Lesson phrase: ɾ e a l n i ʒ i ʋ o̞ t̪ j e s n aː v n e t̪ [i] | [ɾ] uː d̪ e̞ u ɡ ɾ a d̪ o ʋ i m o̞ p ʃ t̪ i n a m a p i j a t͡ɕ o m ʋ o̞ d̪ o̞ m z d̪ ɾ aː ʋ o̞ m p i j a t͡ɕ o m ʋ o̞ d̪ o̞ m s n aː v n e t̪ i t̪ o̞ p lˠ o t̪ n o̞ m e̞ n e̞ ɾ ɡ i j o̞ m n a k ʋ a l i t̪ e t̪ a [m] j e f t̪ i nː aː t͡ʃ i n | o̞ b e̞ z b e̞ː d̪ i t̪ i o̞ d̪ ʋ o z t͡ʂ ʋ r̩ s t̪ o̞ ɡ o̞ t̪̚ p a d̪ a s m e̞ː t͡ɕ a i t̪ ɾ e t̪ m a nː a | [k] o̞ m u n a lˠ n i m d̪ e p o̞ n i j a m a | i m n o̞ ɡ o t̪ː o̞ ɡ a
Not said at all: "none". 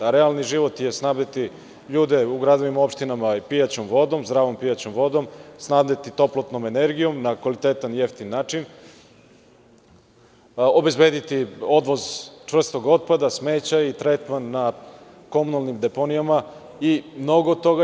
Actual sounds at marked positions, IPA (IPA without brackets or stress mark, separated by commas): i, ʎ, n, k